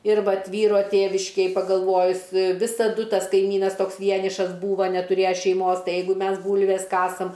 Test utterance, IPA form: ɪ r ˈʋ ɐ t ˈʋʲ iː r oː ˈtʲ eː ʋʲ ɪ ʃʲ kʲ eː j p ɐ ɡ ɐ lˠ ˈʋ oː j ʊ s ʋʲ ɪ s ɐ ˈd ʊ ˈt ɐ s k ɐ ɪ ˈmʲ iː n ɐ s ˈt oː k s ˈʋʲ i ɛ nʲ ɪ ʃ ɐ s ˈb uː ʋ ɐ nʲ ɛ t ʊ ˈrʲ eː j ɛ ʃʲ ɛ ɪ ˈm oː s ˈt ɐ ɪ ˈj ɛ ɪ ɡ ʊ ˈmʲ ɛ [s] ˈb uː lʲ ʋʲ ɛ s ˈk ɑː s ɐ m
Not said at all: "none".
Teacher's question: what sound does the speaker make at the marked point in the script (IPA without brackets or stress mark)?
s